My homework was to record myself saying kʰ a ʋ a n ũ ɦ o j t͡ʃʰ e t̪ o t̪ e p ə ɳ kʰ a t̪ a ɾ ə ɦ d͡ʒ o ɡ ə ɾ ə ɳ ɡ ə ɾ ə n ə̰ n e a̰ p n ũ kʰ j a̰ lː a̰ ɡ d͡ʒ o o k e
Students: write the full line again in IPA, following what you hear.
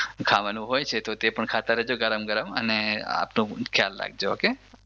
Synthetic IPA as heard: kʰ a ʋ a n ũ ɦ o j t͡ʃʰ e t̪ o t̪ e p ə ɳ kʰ a t̪ a ɾ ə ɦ d͡ʒ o ɡ ə ɾ ə m ɡ ə ɾ ə m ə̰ n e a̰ p n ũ kʰ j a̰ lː a̰ ɡ d͡ʒ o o k e